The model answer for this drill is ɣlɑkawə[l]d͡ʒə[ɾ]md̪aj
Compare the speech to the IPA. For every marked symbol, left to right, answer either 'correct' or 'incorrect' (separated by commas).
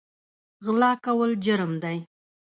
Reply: correct, correct